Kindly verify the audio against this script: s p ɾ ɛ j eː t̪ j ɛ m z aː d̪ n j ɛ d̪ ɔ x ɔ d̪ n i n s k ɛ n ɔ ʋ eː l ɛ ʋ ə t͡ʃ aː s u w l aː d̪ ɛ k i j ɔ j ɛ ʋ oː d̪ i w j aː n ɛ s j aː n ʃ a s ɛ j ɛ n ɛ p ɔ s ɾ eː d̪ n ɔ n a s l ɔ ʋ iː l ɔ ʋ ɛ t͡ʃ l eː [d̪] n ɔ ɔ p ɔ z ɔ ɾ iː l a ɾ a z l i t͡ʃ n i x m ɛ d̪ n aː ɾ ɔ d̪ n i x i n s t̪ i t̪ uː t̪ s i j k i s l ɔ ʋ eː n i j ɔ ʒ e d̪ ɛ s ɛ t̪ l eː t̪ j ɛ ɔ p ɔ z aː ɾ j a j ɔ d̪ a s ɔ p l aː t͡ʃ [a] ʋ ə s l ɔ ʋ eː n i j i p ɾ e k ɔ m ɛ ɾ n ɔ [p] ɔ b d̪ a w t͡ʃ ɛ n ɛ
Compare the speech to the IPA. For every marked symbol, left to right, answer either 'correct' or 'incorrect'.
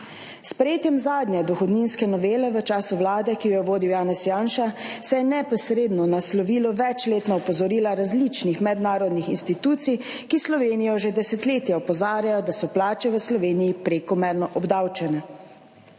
incorrect, incorrect, incorrect

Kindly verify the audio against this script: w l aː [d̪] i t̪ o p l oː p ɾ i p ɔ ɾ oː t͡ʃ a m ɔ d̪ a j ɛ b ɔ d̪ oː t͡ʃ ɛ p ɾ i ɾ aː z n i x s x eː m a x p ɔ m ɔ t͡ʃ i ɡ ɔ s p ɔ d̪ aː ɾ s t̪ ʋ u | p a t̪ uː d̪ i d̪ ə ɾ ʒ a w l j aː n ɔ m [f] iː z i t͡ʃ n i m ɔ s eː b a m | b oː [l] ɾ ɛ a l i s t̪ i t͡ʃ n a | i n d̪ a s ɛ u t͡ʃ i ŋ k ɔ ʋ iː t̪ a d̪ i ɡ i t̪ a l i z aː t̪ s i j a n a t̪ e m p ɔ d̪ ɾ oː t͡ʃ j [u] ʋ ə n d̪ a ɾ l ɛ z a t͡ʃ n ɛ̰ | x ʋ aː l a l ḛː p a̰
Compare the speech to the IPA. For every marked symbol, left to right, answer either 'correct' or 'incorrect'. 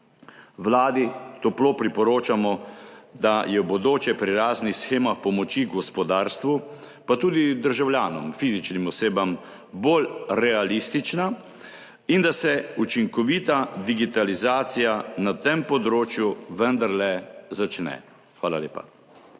correct, correct, correct, correct

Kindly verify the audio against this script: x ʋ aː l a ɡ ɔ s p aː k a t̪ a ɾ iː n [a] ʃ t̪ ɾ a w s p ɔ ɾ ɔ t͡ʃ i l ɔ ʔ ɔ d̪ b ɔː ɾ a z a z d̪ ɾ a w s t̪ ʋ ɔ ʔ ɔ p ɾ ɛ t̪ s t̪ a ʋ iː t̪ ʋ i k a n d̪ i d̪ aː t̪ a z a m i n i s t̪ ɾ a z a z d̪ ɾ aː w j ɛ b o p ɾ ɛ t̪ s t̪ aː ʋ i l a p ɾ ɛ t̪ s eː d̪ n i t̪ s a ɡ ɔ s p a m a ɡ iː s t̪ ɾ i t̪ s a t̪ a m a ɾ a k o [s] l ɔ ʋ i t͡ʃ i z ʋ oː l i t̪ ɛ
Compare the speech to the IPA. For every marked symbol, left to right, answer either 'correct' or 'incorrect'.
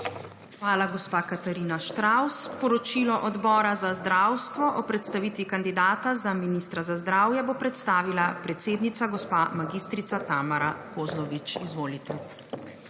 correct, incorrect

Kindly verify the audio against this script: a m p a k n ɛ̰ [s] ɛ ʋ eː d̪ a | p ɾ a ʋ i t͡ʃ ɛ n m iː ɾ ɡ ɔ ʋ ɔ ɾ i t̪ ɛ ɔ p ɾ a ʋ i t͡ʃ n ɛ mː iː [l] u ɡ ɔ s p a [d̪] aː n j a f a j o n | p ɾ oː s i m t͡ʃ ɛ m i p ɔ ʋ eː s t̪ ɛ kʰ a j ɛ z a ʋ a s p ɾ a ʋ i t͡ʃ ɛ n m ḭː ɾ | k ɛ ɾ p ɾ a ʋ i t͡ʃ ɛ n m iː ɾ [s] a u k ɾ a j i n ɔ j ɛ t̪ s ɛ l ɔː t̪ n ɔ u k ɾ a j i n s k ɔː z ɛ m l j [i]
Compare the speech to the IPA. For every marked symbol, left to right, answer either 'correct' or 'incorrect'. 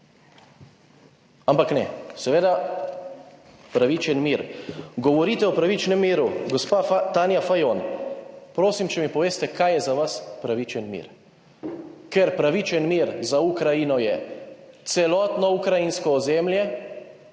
correct, incorrect, incorrect, incorrect, incorrect

